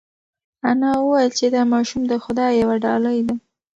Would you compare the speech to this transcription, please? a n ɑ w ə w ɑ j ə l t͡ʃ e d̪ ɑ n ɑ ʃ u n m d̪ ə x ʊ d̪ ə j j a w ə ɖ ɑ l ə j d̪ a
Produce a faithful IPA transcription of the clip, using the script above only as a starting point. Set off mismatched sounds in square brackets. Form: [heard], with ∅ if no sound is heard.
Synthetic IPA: a n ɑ w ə w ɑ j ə l t͡ʃ e d̪ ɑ [m] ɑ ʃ u [∅] m d̪ ə x ʊ d̪ [ɑ] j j a w [a] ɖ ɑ l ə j d̪ a